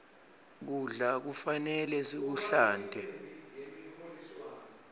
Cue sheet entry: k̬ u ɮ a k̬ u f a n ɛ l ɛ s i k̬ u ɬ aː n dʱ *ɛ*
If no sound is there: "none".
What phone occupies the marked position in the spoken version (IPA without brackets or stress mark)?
ɛ